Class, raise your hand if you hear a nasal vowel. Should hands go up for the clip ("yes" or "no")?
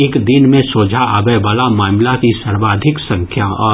yes